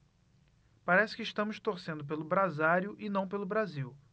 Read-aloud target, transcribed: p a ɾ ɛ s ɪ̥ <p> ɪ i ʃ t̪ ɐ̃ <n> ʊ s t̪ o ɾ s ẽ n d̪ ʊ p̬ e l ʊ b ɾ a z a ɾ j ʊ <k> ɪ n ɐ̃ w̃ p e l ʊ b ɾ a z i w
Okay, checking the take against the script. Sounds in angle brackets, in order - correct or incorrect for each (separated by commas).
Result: incorrect, incorrect, incorrect